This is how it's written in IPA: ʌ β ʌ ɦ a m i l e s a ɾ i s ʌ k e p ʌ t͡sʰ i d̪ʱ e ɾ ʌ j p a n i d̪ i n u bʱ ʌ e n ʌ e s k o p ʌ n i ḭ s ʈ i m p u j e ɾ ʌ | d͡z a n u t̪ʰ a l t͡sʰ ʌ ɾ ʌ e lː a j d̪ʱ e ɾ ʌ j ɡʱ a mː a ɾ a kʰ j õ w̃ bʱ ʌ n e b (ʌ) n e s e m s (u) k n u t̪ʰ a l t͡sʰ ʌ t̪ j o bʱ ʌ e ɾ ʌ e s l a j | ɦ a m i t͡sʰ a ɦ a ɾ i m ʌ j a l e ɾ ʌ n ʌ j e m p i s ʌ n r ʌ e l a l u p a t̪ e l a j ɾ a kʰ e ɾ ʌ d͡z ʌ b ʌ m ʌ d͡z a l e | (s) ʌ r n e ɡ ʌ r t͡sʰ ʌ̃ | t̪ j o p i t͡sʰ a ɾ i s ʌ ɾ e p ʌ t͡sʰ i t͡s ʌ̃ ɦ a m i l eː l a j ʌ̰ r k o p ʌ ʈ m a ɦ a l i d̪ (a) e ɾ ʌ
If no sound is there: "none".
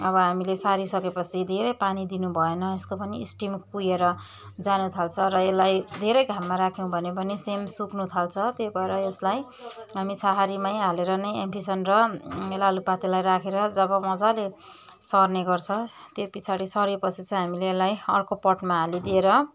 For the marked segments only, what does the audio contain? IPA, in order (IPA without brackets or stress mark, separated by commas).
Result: ʌ, u, s, i